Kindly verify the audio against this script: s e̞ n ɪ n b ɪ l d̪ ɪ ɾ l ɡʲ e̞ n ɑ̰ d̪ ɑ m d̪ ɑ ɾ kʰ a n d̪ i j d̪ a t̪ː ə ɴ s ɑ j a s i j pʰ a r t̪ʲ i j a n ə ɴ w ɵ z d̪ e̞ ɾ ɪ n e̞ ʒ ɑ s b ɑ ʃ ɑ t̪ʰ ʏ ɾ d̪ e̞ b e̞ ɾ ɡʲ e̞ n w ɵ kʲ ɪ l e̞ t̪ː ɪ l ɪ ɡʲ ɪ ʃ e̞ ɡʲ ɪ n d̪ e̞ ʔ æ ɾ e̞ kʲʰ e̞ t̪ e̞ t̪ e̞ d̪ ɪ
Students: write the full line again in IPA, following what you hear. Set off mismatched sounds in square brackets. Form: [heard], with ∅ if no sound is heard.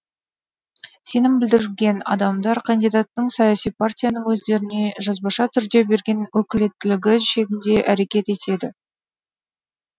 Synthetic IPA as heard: s e̞ n ɪ [m] b ɪ l d̪ ɪ ɾ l ɡʲ e̞ n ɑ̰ d̪ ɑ m d̪ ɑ ɾ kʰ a n d̪ i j d̪ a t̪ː ə ɴ s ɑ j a s i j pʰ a r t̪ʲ i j a n ə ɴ w ɵ z d̪ e̞ ɾ ɪ n e̞ ʒ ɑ [z] b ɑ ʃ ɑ t̪ʰ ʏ ɾ d̪ e̞ b e̞ ɾ ɡʲ e̞ n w ɵ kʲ ɪ l e̞ t̪ː ɪ l ɪ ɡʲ ɪ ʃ e̞ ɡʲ ɪ n d̪ e̞ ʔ æ ɾ e̞ [kʲ] e̞ t̪ e̞ t̪ e̞ d̪ ɪ